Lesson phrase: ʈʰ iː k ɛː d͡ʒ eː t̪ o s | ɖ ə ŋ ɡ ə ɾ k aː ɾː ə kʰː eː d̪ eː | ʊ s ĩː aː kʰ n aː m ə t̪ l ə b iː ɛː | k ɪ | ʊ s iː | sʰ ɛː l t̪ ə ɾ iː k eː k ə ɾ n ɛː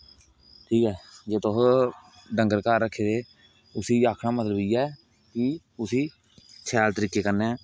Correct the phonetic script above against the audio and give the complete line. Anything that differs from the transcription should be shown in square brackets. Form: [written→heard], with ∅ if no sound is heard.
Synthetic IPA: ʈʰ iː k ɛː d͡ʒ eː t̪ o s | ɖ ə ŋ ɡ ə ɾ k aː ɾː ə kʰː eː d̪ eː | ʊ s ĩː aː kʰ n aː m ə t̪ l ə b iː ɛː | k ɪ | ʊ s iː | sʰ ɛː l t̪ ə ɾ iː k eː k ə ɾ n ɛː